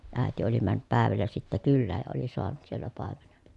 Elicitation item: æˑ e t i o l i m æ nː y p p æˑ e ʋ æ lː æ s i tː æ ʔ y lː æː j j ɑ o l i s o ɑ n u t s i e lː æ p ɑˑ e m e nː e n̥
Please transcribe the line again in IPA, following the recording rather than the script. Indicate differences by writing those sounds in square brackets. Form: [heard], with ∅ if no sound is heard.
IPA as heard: æˑ e t i o l i m æ nː y p p æˑ e ʋ æ lː æ s i tː æ [k] y lː æː j j ɑ o l i s o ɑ n u t s i e lː æ p ɑˑ e m e [n] e n̥